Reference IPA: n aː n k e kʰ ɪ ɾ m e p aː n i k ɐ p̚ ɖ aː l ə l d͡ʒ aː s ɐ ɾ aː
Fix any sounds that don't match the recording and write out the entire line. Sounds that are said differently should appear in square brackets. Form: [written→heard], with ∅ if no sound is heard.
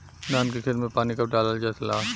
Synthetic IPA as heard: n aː n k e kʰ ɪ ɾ m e p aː n i k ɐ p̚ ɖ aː l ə l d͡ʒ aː s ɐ [ɾ→l] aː